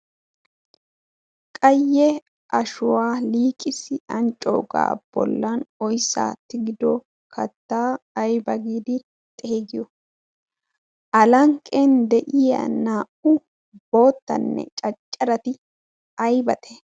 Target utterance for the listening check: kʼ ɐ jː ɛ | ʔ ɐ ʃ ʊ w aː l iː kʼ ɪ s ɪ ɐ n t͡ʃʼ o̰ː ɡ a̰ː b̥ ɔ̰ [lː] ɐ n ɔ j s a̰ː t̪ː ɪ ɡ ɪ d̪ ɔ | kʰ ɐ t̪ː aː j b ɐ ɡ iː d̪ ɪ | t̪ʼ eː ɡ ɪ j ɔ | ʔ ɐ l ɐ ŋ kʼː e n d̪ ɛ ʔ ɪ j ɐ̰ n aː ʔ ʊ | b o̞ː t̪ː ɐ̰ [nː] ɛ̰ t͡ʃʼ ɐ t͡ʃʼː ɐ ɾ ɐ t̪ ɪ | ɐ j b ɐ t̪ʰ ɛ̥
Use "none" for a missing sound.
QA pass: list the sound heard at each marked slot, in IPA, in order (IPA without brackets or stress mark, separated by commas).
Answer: lː, nː